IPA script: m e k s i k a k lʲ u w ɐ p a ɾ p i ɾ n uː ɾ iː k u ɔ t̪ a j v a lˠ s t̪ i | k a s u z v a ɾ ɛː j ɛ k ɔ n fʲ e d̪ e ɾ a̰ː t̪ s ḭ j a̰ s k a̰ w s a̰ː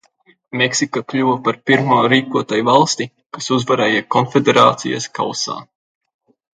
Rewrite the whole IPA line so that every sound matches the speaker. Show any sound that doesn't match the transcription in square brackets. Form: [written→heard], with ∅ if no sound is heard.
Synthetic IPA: m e k s i k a k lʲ u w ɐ p a ɾ p i ɾ [n→m] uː ɾ iː k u ɔ t̪ a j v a lˠ s t̪ i | k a s u z v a ɾ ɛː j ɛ k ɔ n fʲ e d̪ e ɾ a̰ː t̪ s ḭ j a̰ s k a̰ w s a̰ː